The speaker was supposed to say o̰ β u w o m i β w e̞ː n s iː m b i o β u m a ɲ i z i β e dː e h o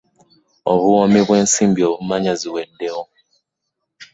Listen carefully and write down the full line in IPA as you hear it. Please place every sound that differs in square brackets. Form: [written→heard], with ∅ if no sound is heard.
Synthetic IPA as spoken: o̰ β u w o m i β w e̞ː n s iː m b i o β u m a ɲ [i→a] z i [β→w] e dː e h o